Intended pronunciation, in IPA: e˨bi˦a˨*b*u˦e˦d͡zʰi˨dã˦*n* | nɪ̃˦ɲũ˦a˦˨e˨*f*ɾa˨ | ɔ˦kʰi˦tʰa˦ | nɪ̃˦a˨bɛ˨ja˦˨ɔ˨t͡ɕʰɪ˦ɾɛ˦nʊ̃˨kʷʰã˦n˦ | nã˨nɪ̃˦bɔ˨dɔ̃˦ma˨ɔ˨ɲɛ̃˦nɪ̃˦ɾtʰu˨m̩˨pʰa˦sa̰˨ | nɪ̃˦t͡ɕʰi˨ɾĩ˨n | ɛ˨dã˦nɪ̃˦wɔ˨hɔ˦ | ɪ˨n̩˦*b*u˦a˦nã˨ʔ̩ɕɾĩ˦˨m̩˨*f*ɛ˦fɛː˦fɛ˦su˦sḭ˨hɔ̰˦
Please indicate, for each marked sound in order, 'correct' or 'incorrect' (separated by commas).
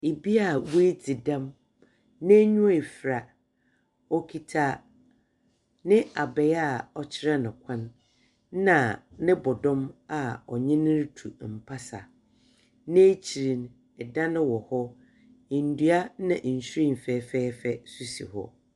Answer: incorrect, incorrect, correct, incorrect, correct